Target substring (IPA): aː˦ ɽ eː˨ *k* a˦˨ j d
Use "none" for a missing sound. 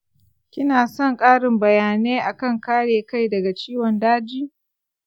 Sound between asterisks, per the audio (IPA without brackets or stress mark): k